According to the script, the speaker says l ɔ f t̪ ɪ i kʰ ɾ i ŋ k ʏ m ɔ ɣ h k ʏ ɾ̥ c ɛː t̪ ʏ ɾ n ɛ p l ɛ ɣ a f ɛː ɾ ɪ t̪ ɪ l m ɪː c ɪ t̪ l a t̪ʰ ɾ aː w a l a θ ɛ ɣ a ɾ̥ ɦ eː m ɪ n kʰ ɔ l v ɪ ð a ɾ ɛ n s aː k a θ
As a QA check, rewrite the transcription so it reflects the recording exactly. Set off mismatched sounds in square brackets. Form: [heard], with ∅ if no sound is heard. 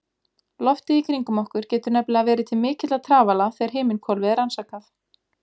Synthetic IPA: l ɔ f t̪ ɪ i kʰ ɾ i ŋ k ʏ m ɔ [∅] h k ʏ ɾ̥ c ɛː t̪ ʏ ɾ n ɛ p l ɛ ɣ a [v] ɛː ɾ ɪ [t̪ʰ] ɪ l m ɪː c ɪ t̪ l a t̪ʰ ɾ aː [v] a l a θ ɛ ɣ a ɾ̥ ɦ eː m ɪ n kʰ ɔ l v ɪ ð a ɾ [a] n s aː k a θ